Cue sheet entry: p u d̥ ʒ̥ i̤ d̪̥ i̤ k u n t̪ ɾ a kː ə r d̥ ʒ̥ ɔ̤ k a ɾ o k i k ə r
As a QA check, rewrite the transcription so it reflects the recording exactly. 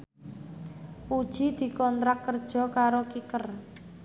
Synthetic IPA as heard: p u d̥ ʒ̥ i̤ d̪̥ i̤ k ɔ n t̪ ɾ a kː ə r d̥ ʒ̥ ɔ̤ k a ɾ o k i k ə r